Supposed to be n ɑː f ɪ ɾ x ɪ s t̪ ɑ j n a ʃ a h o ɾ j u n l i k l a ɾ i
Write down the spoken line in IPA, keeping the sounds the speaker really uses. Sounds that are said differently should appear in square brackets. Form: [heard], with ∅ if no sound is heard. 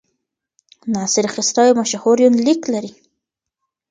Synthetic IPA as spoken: n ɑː [s] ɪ ɾ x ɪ s t̪ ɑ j [m] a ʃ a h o ɾ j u n l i k l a ɾ i